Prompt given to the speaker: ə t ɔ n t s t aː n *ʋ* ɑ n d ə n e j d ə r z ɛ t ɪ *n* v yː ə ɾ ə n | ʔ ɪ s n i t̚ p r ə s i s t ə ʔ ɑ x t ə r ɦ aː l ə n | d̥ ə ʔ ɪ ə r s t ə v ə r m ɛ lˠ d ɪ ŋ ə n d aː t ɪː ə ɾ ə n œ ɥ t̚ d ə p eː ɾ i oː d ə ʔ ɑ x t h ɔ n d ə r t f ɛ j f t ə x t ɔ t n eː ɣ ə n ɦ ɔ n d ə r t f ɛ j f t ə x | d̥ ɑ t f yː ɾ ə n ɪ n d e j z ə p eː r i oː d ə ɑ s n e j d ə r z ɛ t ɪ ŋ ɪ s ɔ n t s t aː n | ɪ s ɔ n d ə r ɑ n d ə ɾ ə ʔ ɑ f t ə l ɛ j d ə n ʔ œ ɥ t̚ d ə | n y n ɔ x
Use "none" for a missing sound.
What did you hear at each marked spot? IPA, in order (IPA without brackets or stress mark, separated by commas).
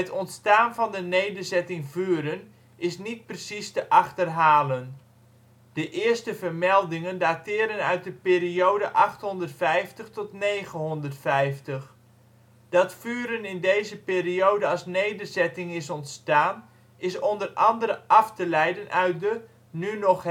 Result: v, ŋ